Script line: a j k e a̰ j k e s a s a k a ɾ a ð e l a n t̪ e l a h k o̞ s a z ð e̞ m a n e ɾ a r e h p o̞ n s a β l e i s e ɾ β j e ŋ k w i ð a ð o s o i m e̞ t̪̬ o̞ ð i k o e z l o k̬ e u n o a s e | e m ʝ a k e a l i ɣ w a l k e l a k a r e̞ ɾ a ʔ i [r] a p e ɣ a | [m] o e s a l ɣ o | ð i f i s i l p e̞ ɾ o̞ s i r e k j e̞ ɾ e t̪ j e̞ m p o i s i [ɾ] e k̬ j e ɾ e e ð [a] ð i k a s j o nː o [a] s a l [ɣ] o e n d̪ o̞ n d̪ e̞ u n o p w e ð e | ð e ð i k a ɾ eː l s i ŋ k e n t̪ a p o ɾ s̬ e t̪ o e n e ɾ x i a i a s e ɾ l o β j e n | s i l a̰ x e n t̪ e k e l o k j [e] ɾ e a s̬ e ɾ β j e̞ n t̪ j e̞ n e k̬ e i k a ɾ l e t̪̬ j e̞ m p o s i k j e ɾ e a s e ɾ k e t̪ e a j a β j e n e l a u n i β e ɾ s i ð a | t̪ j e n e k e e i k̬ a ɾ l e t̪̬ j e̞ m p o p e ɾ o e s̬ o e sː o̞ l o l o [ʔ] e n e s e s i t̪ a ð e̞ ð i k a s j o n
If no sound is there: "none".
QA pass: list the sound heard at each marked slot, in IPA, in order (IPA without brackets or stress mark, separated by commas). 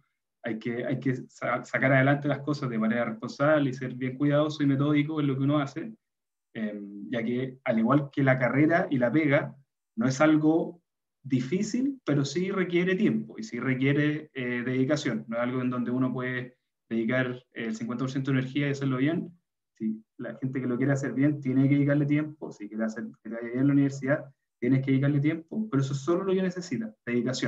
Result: l, n, r, e, e, ɣ, e, k